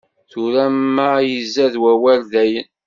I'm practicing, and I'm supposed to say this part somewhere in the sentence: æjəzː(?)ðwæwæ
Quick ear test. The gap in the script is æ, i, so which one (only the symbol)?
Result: æ